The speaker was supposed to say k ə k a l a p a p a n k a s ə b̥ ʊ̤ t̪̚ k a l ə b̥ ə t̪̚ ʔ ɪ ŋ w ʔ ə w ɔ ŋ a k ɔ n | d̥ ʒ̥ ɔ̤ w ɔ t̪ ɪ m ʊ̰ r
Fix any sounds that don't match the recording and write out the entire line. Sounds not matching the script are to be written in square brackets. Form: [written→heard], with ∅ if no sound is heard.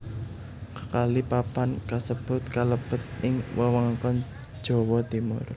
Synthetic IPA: k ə k a l [a→i] p a p a n k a s ə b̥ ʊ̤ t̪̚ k a l ə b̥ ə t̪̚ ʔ ɪ ŋ w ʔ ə w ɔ ŋ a k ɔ n | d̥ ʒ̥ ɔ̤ w ɔ t̪ [ɪ→i] m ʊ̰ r